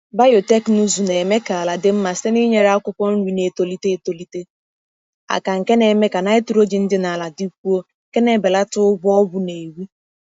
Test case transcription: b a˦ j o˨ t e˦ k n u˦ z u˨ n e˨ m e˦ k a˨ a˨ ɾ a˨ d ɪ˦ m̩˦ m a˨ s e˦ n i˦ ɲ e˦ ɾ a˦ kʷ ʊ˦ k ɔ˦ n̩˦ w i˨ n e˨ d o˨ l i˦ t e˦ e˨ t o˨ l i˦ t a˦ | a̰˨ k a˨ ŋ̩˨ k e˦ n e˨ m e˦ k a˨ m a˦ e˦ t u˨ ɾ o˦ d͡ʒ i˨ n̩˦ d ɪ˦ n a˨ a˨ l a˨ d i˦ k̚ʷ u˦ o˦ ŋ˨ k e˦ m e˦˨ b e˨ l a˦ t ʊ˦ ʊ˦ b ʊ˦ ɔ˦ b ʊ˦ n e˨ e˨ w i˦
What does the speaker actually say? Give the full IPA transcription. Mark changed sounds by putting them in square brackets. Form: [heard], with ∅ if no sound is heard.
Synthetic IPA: b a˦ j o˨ t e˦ k n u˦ z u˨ n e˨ m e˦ k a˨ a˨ [l] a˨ d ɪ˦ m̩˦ m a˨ s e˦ n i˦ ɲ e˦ ɾ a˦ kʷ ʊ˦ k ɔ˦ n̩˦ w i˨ n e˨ [t] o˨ l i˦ t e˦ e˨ t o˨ l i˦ t [e˦] | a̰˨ k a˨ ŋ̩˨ k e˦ n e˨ m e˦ k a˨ [n] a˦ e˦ t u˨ ɾ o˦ d͡ʒ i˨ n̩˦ d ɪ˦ n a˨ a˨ l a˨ d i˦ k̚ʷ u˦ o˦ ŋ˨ k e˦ [n] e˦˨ b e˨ l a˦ t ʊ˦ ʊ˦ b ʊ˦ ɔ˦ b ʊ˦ n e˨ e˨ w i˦